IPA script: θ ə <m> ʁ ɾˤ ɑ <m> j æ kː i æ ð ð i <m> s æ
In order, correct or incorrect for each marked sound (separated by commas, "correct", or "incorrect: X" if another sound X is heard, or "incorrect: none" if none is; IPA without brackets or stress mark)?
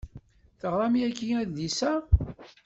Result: incorrect: none, correct, incorrect: none